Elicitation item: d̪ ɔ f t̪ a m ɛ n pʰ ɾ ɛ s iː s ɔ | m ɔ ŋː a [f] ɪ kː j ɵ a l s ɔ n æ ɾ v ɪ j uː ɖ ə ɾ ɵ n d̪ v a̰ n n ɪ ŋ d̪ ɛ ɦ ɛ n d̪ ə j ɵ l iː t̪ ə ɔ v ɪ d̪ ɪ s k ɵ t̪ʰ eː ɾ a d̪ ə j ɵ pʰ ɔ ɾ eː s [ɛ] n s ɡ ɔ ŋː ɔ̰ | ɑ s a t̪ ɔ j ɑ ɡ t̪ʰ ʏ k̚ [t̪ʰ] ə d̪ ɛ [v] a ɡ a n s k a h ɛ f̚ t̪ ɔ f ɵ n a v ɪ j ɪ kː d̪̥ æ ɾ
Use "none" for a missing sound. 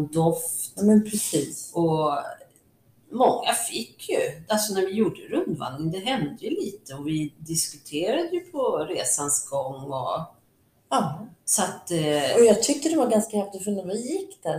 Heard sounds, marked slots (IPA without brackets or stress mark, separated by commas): f, a, t̪, v